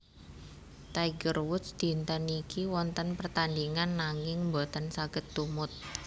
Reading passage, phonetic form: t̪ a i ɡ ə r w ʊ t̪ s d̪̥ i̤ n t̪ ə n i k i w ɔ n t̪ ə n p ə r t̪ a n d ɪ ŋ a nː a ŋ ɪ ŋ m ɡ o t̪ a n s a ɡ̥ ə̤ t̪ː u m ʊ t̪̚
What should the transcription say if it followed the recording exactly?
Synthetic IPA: t̪ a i ɡ ə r w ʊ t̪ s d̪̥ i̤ n t̪ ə n i k i w ɔ n t̪ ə n p ə r t̪ a n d i ŋ a nː a ŋ ɪ ŋ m b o t̪ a n s a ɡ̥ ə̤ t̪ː u m ʊ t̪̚